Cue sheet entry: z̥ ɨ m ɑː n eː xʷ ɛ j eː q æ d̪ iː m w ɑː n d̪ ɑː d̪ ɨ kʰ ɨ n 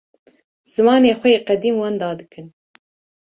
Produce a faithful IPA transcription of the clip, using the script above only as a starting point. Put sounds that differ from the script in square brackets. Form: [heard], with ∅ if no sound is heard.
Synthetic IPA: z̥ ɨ m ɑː n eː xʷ ɛ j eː q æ d̪ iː m w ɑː n d̪ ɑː d̪ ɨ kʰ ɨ n